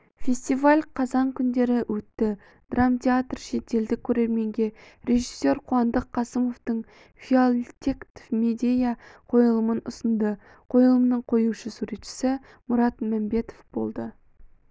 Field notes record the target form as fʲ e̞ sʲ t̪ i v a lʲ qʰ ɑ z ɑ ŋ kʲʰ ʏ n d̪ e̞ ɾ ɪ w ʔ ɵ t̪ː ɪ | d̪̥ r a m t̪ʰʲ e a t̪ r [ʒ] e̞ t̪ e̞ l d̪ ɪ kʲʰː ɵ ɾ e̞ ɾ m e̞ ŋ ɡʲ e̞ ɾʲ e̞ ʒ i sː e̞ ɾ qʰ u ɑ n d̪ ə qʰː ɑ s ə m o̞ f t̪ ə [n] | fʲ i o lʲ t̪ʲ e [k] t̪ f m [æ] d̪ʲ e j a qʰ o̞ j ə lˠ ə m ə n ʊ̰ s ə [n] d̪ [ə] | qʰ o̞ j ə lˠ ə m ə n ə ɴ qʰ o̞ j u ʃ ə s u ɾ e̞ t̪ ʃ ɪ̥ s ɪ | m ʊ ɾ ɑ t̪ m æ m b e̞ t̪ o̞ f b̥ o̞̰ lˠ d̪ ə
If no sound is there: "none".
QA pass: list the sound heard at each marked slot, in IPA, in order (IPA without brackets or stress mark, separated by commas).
ʃ, ɴ, k, e, n, ə